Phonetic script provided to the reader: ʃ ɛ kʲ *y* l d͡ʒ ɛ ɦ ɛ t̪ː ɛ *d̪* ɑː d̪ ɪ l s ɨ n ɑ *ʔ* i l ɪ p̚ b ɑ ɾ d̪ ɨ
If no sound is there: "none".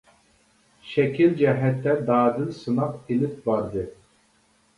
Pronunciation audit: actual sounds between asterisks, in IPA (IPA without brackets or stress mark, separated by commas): i, d̪, q